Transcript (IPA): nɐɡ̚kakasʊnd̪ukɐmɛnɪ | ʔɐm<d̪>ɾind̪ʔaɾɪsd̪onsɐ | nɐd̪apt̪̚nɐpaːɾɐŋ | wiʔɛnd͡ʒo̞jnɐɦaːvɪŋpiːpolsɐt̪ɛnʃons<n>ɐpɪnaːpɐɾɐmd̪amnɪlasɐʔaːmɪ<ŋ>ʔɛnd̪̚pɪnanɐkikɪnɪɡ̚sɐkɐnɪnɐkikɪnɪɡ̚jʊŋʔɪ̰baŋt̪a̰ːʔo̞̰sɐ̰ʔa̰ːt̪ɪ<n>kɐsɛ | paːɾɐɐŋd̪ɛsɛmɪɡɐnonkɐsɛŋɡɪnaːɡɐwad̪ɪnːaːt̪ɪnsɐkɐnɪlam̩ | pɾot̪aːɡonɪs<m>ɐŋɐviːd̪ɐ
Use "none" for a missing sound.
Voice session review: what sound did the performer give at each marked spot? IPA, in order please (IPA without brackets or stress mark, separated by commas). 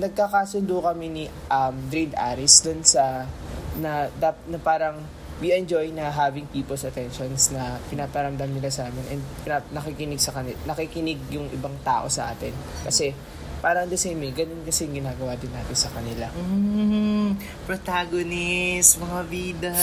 d̪, n, n, n, m